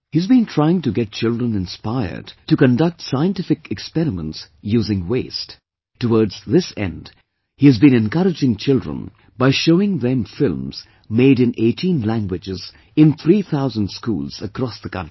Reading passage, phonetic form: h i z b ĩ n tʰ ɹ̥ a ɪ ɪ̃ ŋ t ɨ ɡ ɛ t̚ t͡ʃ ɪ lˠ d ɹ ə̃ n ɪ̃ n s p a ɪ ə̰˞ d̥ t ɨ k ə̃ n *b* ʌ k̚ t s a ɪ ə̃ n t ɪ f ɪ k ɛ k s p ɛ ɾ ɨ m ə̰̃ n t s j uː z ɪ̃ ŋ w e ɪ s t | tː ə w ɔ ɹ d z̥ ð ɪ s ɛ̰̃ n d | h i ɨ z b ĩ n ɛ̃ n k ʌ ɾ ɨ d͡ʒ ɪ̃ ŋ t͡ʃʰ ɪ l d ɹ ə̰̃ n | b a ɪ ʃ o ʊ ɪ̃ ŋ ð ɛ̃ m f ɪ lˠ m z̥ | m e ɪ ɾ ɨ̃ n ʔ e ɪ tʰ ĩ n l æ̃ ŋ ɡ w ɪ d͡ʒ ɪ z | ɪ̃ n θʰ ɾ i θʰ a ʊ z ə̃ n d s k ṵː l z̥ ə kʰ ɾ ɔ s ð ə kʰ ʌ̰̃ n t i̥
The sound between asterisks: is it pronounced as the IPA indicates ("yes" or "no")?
no